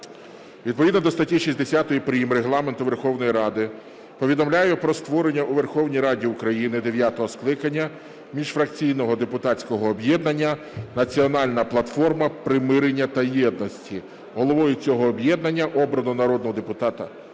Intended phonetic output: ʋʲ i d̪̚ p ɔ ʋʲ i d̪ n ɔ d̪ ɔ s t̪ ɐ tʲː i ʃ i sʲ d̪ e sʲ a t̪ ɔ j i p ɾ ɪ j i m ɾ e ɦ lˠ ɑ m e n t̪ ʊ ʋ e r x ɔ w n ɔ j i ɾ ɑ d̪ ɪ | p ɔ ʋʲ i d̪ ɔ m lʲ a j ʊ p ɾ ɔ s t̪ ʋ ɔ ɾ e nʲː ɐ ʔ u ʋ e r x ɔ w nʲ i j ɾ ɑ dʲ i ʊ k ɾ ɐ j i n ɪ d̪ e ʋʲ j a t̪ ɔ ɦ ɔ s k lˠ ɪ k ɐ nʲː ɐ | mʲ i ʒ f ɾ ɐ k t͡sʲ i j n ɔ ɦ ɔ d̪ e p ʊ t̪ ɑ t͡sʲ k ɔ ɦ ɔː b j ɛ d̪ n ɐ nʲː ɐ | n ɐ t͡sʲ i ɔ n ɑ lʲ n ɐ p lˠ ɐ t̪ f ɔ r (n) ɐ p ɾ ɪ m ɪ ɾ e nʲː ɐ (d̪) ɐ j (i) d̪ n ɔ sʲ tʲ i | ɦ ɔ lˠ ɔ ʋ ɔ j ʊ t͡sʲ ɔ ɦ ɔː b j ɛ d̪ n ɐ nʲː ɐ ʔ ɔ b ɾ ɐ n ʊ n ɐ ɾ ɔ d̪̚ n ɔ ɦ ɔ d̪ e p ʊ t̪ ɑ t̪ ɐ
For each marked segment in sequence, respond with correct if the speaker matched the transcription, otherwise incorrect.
incorrect: m, incorrect: t̪, incorrect: ɛ

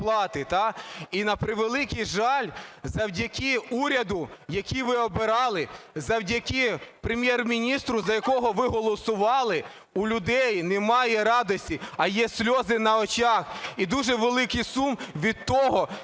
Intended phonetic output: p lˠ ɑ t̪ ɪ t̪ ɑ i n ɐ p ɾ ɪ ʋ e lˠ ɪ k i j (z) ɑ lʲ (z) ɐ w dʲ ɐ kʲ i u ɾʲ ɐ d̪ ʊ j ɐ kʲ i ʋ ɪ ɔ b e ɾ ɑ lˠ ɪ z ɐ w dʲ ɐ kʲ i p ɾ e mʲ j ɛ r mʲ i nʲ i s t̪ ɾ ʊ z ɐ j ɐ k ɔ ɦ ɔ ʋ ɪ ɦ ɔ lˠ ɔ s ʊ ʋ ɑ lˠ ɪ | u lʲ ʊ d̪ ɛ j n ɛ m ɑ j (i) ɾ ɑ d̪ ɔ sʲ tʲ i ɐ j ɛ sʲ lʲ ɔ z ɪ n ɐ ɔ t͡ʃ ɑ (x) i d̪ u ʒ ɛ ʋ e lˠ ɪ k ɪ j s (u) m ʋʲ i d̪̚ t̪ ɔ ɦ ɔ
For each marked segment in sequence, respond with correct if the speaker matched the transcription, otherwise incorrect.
incorrect: ʒ, correct, incorrect: ɛ, correct, correct

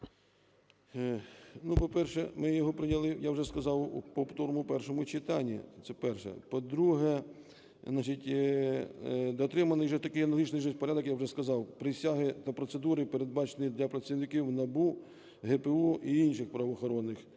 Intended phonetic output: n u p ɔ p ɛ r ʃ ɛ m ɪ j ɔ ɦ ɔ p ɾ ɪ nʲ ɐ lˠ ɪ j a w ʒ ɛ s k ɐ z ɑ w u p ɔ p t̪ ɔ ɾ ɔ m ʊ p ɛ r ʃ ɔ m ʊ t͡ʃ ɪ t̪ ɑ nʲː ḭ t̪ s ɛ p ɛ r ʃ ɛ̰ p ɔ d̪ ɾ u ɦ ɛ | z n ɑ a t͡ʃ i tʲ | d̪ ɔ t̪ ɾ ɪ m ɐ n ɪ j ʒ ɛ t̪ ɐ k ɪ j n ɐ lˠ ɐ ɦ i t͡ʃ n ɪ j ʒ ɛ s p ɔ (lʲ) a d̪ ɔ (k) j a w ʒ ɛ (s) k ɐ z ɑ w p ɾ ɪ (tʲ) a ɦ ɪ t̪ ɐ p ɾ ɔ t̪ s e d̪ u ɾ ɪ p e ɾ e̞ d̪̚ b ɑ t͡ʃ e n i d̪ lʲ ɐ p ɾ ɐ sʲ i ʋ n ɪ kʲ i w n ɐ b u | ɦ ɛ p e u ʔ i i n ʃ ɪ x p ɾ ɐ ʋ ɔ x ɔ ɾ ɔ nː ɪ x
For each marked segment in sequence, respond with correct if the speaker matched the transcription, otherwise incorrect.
incorrect: ɾʲ, correct, correct, incorrect: sʲ

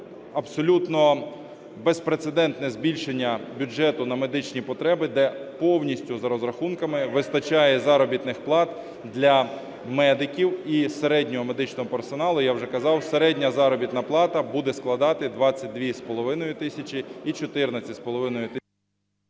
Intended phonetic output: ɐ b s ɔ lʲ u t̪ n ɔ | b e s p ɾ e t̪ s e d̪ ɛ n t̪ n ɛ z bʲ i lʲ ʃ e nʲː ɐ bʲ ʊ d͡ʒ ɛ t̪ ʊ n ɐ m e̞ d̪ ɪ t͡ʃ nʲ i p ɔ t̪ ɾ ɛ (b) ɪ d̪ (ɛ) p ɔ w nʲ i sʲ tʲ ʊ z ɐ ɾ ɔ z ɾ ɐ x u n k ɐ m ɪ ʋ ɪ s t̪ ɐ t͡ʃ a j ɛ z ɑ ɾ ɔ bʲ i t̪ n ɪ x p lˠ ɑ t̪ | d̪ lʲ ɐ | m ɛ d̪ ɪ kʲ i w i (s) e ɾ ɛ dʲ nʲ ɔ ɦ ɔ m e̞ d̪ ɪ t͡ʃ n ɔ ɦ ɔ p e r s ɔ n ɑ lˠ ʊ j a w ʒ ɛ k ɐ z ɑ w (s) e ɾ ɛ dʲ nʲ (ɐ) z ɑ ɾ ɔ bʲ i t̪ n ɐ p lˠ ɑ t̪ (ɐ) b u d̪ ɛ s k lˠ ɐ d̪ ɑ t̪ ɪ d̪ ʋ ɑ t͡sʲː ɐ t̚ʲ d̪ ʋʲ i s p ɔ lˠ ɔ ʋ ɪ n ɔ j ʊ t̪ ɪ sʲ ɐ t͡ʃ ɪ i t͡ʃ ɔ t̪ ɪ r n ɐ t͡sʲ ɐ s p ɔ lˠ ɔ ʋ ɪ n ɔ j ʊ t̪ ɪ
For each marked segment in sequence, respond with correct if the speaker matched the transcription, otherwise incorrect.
correct, correct, correct, correct, correct, correct

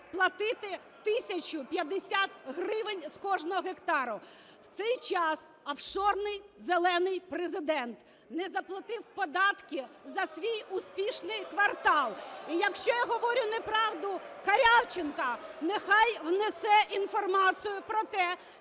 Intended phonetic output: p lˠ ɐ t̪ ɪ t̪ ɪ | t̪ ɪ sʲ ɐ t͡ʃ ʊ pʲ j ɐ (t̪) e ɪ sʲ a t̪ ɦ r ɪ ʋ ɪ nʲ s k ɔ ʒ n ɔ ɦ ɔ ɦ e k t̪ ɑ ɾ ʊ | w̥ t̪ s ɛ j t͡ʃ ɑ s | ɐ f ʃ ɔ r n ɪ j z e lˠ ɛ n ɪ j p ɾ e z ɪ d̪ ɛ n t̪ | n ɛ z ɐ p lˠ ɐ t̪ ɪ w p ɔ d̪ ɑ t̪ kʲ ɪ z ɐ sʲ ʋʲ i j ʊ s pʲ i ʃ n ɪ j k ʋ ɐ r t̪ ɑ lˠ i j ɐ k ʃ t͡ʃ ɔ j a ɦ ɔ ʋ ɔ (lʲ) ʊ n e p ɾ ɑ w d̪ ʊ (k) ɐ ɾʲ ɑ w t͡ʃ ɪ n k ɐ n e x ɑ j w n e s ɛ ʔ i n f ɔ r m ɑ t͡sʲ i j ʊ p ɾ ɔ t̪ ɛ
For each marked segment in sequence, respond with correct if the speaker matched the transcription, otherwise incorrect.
incorrect: d̪, incorrect: ɾʲ, correct

